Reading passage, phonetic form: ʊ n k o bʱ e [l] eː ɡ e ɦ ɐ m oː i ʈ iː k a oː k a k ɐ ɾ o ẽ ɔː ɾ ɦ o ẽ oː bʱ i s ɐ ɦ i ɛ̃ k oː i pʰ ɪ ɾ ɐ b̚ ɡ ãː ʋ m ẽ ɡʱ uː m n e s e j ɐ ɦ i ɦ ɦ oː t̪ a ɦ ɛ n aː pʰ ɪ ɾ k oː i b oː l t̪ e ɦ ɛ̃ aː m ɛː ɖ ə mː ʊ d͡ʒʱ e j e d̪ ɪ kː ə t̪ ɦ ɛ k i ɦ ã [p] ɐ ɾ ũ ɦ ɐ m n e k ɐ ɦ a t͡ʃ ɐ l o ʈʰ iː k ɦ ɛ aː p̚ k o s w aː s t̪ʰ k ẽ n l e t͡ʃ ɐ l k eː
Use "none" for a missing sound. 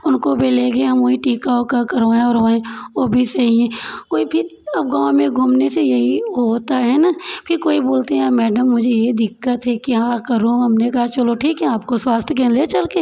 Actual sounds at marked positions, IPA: l, k

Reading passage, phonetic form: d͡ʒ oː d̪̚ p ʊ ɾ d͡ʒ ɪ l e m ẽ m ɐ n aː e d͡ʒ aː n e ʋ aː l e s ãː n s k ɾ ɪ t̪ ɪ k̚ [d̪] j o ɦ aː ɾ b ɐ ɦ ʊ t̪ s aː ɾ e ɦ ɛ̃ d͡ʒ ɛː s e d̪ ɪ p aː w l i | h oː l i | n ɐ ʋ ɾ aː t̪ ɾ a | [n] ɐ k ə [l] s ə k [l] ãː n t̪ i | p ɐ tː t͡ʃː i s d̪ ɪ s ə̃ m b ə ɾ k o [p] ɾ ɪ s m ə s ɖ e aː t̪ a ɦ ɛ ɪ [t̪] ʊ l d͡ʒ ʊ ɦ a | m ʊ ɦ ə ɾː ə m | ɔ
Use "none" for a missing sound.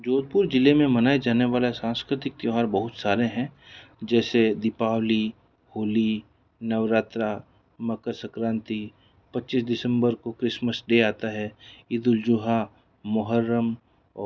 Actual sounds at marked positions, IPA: t̪, m, ɾ, ɾ, k, d̪

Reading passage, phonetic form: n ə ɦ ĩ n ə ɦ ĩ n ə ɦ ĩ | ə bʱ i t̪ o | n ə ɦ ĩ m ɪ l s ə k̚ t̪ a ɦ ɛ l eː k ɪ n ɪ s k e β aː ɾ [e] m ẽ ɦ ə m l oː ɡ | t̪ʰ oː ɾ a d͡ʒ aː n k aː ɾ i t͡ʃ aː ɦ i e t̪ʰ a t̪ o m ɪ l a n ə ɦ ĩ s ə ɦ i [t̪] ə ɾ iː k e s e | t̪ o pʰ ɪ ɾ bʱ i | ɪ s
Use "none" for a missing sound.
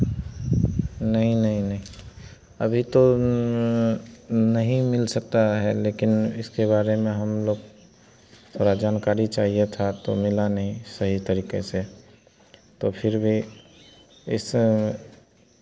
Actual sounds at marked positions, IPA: e, t̪

